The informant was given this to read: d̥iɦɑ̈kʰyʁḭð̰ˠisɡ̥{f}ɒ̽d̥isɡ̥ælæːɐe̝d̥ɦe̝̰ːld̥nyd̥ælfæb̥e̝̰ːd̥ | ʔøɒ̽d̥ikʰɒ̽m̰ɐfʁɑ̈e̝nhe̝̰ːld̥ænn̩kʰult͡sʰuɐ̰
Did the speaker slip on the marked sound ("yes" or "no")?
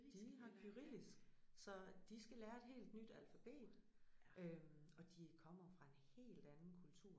yes